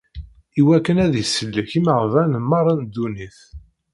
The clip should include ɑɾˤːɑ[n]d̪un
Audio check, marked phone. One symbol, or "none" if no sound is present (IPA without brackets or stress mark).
n